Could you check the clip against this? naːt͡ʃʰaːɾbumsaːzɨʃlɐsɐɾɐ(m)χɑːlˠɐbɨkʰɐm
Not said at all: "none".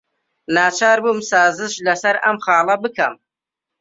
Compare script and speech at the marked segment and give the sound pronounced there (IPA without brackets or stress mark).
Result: m